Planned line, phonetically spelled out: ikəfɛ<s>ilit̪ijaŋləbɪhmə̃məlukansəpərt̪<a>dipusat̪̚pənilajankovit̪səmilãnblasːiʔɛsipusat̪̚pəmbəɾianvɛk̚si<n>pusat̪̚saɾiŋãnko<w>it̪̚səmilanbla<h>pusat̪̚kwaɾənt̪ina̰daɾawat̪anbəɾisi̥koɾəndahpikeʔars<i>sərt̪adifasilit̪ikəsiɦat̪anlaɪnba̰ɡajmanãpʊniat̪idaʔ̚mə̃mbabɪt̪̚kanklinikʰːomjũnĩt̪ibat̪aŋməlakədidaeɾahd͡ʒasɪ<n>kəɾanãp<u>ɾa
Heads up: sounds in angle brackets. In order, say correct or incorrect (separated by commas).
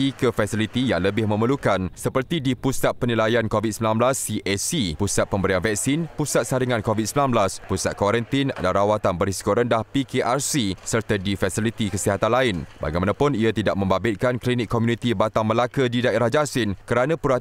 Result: correct, incorrect, correct, incorrect, incorrect, correct, correct, correct